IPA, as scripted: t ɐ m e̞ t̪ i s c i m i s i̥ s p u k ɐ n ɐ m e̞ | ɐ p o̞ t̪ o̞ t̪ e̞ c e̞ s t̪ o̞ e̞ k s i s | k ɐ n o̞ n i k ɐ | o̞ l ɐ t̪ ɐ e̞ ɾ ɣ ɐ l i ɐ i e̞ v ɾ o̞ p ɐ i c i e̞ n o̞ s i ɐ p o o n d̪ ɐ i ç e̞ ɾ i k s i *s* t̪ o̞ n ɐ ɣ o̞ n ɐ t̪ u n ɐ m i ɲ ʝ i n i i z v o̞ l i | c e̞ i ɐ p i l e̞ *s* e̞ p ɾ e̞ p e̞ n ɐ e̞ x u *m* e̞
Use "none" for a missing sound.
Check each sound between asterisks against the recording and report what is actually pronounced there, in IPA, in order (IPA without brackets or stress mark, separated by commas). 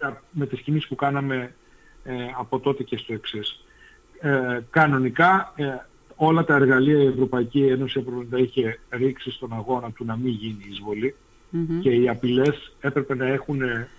s, s, n